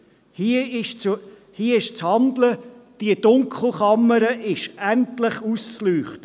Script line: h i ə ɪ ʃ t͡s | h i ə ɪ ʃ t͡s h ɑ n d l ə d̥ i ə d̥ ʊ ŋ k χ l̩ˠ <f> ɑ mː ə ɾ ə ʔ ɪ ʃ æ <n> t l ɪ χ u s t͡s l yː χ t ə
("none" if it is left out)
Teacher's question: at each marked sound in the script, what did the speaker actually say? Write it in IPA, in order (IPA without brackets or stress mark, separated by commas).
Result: χ, n